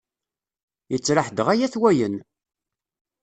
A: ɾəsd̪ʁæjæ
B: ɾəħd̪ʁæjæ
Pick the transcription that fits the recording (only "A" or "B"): B